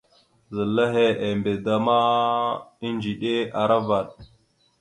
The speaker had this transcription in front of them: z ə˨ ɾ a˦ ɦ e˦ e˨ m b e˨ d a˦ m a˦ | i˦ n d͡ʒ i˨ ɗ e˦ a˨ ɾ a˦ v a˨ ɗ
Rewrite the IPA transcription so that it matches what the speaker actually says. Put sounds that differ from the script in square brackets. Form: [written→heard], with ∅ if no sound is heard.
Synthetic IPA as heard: z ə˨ [ɾ→l] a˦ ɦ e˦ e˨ m b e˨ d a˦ m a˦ | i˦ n d͡ʒ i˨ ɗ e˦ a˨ ɾ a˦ v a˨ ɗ